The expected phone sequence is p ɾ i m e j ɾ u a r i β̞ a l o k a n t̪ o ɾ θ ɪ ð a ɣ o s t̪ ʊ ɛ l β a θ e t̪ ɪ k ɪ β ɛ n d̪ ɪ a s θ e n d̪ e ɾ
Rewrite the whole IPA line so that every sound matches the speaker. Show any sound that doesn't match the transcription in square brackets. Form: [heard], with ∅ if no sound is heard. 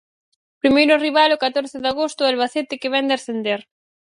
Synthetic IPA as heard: p ɾ i m e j ɾ [ʊ] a r i β̞ a l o k a [∅] t̪ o ɾ θ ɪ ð a ɣ o s t̪ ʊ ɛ l β a θ e t̪ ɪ k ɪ β ɛ n d̪ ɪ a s θ e n d̪ e ɾ